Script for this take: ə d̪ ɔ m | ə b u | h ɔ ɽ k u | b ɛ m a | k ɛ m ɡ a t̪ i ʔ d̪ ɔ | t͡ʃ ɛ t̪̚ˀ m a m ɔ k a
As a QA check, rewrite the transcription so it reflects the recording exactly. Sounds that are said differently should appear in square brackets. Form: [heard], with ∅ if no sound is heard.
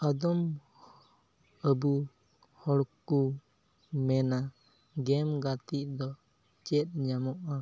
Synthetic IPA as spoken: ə d̪ ɔ m | ə b u | h ɔ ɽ k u | [m] ɛ [n] a | [ɡ] ɛ m ɡ a t̪ i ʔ d̪ ɔ | t͡ʃ ɛ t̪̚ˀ [ɲ] a m ɔ [ʔ] a